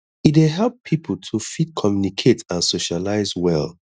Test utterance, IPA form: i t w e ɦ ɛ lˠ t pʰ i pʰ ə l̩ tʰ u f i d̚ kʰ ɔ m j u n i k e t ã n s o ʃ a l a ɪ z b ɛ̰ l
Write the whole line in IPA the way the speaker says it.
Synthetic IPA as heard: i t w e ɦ ɛ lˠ p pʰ i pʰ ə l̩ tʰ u f i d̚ kʰ ɔ m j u n i kʰ e t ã n s o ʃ a l a ɪ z w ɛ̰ l